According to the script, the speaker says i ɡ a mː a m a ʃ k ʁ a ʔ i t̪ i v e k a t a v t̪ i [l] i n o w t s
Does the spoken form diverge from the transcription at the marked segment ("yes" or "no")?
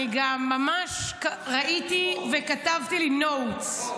no